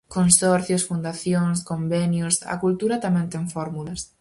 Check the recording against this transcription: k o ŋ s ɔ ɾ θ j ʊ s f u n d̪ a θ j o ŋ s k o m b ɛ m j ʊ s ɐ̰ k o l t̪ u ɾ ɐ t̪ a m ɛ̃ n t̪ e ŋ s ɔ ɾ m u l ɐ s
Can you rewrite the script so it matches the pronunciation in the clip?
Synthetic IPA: k o n s ɔ ɾ θ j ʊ s f u n d̪ a θ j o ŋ s k o m b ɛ n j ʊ s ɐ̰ k u l t̪ u ɾ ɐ t̪ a m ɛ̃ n t̪ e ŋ f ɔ ɾ m u l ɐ s